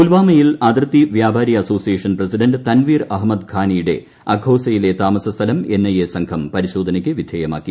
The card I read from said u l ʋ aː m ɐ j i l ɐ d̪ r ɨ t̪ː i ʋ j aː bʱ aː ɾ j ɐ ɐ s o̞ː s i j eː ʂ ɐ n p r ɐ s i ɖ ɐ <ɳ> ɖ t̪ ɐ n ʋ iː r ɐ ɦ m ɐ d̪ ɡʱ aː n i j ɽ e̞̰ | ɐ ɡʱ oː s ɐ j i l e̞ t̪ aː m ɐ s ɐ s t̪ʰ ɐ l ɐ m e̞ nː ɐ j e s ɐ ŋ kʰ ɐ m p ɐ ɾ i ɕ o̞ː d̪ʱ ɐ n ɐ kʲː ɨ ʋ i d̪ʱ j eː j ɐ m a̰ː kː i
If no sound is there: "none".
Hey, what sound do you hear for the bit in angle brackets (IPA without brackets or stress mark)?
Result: n